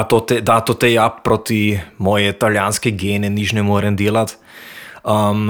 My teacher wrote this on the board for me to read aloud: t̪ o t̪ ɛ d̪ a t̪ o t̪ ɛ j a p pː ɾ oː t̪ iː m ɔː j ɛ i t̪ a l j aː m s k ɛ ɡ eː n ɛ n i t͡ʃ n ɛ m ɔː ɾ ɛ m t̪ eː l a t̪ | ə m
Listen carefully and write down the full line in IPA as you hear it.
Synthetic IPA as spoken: t̪ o t̪ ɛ d̪ a t̪ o t̪ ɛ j a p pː ɾ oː t̪ i m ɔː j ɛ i t̪ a l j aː n s k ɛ ɡ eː n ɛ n i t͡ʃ n ɛ m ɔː ɾ ɛ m d̪ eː l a t̪ | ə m